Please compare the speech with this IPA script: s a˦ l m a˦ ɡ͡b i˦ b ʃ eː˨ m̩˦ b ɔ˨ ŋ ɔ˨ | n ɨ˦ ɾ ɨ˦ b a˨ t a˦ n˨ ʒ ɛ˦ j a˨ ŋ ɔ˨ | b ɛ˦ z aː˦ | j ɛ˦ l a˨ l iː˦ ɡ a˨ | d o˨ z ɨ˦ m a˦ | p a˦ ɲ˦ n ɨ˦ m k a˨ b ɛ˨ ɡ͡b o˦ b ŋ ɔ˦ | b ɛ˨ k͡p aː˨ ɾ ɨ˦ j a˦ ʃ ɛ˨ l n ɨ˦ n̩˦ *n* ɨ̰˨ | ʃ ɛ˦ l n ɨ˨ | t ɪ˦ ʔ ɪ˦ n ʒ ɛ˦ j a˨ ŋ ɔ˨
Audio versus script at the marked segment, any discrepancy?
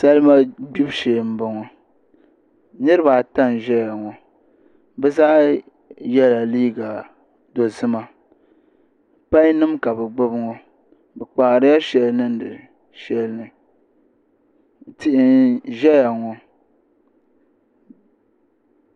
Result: yes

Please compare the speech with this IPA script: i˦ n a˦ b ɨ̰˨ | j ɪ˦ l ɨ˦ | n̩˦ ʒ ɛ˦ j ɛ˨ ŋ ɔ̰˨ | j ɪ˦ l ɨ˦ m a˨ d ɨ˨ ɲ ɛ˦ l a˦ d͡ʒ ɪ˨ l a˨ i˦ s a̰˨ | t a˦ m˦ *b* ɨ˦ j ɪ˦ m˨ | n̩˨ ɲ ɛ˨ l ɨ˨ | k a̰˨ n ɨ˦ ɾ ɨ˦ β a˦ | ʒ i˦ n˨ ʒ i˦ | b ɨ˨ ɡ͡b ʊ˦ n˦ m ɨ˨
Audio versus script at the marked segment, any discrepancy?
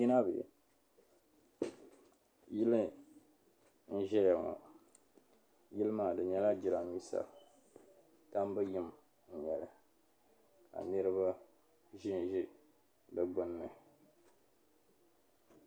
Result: no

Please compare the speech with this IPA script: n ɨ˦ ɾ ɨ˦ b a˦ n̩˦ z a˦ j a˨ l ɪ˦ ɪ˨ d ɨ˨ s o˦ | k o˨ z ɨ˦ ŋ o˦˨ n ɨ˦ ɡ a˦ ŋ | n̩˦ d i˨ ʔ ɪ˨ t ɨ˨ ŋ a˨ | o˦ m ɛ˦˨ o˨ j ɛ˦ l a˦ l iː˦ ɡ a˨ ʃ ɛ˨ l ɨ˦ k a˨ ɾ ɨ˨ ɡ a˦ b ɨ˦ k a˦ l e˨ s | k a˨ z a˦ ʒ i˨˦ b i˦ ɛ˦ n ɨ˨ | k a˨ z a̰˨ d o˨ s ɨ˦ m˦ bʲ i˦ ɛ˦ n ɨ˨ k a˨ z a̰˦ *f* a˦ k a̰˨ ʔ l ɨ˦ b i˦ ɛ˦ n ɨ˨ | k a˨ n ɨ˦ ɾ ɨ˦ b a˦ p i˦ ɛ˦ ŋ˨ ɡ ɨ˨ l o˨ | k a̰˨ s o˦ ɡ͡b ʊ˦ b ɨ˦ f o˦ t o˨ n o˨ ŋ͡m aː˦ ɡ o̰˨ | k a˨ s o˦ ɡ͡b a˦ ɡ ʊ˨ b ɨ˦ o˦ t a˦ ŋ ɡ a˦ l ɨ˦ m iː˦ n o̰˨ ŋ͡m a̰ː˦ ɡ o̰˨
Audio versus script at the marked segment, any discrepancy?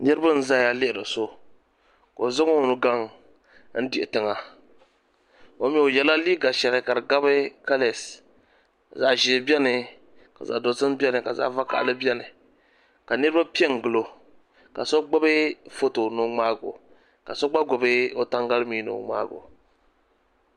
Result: yes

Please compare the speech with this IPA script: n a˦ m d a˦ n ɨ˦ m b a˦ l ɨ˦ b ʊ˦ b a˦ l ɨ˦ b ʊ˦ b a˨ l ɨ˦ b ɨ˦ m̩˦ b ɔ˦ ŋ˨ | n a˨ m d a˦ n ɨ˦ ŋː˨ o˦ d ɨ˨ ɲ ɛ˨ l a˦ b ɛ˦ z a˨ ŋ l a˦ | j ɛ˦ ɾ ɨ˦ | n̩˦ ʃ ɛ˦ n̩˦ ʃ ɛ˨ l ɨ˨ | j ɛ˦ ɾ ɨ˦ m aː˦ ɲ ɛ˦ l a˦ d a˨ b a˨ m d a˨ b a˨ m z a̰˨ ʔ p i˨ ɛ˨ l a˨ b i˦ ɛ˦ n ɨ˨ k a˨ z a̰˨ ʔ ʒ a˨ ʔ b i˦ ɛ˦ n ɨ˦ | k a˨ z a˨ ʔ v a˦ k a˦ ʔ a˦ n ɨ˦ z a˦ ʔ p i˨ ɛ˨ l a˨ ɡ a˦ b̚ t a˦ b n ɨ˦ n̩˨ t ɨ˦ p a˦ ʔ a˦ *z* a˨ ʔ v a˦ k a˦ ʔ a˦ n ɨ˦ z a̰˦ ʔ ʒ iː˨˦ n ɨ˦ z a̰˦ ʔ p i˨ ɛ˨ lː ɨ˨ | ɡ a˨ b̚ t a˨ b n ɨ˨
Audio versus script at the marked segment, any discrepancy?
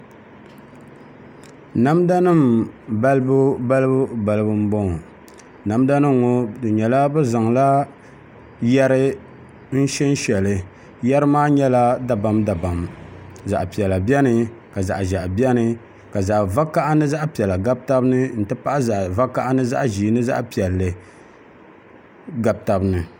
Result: no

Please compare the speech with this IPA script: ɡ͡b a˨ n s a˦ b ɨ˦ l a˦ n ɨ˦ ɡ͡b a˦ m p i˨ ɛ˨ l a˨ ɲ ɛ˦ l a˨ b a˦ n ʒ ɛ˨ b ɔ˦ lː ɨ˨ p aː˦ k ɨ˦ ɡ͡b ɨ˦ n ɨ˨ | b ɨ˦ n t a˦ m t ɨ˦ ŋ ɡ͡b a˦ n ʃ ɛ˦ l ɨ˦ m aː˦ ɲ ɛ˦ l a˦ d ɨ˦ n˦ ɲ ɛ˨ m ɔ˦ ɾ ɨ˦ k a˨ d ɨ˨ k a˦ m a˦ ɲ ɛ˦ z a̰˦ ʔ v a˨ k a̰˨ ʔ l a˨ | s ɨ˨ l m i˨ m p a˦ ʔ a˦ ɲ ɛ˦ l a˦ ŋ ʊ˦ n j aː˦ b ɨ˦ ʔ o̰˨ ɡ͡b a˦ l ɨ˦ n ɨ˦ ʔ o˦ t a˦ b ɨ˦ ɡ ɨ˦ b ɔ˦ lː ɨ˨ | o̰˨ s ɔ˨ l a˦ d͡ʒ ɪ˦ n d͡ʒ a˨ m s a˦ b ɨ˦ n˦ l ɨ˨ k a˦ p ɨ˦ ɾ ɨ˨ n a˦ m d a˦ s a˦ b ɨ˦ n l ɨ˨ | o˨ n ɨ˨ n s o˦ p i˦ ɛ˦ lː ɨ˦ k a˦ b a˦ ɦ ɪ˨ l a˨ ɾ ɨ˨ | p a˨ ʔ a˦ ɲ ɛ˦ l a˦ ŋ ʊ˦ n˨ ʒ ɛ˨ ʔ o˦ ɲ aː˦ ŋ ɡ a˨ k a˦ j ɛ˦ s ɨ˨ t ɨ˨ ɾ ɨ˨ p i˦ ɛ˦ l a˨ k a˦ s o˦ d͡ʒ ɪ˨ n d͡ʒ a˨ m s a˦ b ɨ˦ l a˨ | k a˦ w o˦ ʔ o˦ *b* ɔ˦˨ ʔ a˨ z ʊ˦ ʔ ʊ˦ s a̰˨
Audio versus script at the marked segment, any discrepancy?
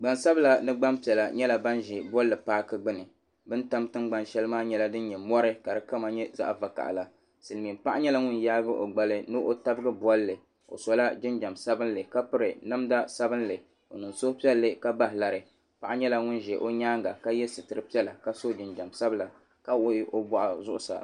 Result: no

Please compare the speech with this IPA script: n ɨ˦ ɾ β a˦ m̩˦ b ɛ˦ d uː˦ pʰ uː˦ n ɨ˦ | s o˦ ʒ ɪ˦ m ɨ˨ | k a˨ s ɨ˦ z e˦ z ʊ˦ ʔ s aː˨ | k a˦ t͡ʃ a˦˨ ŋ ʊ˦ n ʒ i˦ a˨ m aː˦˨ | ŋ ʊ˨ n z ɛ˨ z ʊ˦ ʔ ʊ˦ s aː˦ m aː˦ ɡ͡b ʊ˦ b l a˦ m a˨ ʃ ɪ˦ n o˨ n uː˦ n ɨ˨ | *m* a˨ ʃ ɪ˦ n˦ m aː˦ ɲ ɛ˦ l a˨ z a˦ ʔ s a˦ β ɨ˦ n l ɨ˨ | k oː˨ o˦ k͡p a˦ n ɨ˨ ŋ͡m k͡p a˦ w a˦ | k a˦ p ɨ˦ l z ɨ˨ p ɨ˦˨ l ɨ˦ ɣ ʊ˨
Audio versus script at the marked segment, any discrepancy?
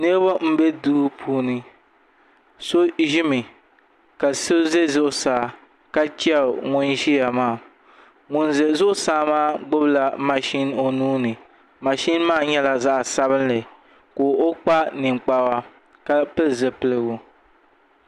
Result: no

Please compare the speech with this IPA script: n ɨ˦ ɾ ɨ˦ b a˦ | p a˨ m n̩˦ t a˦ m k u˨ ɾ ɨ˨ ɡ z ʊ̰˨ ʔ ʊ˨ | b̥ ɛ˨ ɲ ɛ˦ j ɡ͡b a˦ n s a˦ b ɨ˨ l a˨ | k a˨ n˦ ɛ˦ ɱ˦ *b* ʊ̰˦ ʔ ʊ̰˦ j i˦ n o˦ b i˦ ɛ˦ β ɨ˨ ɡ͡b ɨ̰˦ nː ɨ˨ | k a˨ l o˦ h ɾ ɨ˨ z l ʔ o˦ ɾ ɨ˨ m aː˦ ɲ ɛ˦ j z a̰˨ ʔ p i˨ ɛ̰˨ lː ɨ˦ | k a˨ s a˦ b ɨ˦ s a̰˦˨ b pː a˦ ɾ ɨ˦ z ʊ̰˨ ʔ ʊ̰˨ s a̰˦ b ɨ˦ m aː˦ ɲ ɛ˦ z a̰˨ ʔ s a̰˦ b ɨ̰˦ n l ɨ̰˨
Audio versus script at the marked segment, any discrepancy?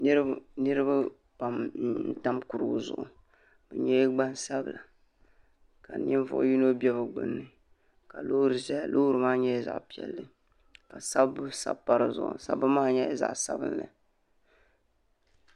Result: yes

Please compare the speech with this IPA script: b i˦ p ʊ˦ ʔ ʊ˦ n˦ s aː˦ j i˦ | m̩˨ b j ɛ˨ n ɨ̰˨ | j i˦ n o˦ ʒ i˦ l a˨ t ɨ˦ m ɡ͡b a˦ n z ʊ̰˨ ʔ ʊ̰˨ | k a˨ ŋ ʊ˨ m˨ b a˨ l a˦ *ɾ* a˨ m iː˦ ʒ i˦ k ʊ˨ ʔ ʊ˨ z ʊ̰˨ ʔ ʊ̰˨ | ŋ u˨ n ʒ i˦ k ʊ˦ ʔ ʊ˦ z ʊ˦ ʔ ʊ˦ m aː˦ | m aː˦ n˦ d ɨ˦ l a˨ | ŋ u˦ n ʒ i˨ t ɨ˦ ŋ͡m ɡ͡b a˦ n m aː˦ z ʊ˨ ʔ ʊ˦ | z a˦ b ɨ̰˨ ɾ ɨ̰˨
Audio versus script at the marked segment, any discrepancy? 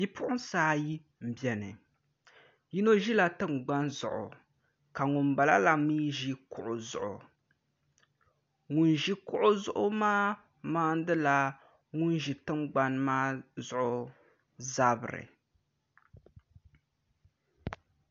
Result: yes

